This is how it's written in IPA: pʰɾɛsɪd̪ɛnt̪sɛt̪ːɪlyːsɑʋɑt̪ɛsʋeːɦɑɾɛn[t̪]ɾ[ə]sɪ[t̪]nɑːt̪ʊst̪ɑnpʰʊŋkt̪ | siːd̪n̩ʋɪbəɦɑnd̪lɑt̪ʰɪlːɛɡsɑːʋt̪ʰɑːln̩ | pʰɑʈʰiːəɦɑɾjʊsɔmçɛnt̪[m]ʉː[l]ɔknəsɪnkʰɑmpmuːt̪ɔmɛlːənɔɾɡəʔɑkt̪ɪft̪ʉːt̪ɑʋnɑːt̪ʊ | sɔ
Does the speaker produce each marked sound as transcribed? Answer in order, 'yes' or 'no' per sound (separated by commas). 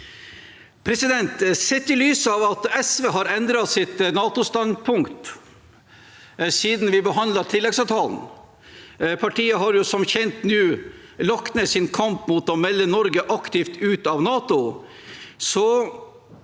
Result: no, no, yes, no, yes